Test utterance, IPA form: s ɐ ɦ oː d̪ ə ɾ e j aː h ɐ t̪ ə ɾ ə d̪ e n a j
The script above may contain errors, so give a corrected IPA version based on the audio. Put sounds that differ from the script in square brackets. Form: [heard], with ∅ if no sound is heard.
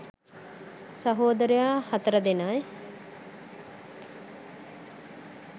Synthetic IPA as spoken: s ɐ ɦ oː d̪ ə ɾ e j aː h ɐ t̪ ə ɾ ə d̪ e n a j